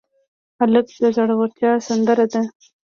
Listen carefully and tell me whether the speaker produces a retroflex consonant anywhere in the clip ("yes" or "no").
yes